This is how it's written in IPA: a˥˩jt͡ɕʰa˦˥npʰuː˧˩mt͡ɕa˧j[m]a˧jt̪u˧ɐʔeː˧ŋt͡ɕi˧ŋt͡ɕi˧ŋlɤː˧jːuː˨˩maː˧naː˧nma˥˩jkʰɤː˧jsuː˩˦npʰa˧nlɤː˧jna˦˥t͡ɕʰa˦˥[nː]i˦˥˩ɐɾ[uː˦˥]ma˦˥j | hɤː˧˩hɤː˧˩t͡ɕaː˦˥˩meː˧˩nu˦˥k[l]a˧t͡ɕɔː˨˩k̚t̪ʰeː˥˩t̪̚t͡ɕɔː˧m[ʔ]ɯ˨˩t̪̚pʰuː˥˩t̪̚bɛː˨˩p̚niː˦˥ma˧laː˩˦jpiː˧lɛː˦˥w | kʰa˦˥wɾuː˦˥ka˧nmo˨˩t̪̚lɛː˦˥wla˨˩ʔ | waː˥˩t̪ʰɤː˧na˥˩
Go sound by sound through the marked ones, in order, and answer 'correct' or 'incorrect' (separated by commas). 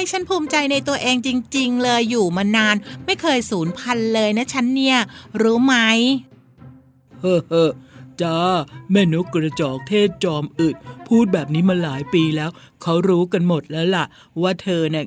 incorrect, correct, correct, incorrect, correct